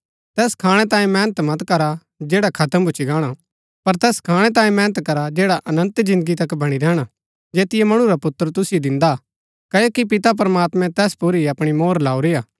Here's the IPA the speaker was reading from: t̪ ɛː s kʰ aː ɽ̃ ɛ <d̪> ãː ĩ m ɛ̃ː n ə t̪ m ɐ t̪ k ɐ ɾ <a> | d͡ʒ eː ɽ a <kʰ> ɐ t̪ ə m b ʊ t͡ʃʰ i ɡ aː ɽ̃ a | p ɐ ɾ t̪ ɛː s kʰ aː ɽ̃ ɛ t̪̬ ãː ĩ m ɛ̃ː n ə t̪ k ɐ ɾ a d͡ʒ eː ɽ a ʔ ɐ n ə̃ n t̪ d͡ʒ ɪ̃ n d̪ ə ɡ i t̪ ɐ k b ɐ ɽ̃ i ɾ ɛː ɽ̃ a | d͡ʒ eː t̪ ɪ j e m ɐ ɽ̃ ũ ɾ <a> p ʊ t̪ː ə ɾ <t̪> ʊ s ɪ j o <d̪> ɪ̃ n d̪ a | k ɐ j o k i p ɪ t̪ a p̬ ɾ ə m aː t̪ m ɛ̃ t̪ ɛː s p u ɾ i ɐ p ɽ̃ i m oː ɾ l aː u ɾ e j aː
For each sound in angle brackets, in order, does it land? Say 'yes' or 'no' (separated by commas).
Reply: no, yes, yes, yes, yes, yes